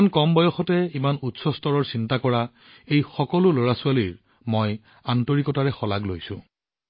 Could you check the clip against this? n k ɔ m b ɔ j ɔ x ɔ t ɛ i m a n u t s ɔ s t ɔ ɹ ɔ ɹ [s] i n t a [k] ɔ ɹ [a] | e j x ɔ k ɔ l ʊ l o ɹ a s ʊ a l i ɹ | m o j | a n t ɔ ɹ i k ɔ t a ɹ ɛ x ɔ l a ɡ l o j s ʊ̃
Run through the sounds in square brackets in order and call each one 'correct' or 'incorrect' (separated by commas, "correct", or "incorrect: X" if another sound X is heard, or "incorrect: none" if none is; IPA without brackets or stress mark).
correct, correct, correct